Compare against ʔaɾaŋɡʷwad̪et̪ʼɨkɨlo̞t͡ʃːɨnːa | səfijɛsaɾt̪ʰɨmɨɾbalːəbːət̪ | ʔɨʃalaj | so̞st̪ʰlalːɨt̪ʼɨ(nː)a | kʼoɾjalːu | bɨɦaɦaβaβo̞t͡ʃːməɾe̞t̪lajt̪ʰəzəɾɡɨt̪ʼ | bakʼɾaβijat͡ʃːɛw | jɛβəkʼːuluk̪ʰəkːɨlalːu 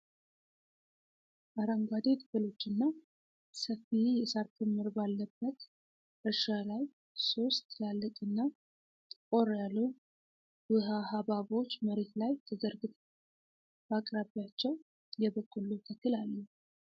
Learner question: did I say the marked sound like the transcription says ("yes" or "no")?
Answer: yes